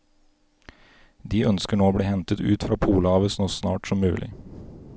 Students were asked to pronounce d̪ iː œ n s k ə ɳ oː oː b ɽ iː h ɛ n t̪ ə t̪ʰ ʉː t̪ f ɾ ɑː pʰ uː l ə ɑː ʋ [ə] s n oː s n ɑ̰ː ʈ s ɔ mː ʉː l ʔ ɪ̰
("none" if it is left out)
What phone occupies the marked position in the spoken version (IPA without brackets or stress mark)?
ə